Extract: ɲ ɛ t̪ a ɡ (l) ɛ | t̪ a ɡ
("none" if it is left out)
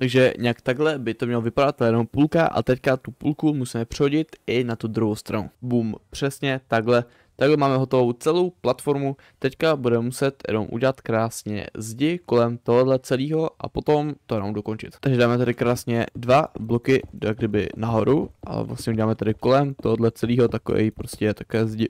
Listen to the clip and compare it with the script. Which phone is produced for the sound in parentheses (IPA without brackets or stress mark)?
l